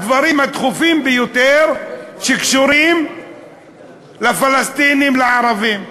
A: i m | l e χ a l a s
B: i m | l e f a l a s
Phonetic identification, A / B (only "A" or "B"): B